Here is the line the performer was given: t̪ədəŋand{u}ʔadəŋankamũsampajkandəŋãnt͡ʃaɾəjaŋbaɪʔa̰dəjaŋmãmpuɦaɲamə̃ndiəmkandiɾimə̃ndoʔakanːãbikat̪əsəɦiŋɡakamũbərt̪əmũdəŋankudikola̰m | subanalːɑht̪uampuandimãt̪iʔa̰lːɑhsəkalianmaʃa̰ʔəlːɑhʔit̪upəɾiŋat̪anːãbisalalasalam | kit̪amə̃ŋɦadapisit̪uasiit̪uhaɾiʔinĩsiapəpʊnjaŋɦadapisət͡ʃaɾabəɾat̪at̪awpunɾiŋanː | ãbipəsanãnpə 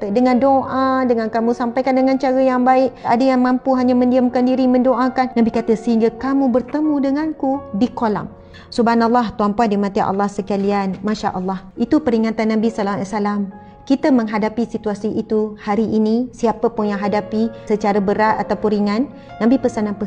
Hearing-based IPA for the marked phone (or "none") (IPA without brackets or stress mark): o